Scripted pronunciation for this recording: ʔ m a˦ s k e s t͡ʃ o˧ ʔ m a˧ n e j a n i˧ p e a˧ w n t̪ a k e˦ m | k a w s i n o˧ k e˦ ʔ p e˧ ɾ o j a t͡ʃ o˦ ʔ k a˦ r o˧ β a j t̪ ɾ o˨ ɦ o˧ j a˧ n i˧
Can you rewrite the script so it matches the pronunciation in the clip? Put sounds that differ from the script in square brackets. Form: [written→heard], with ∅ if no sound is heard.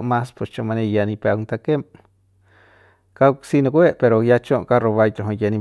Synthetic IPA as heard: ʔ m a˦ s [k→p] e s t͡ʃ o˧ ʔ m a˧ n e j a n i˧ p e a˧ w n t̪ a k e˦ m | k a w s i n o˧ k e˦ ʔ p e˧ ɾ o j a t͡ʃ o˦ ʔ k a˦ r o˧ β a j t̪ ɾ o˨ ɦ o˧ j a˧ n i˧